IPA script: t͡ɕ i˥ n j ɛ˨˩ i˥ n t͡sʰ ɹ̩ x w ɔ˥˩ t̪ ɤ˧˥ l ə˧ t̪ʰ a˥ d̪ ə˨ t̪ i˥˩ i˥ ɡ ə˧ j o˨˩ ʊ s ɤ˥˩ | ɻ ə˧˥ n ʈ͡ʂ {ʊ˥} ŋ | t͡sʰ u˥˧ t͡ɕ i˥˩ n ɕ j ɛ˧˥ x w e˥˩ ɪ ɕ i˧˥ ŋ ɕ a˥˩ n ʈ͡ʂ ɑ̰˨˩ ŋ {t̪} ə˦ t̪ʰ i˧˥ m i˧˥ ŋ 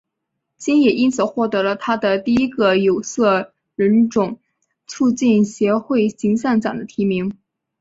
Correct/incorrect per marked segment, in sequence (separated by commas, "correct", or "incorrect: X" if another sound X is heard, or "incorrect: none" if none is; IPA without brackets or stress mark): incorrect: ʊ˨˩˦, incorrect: d̪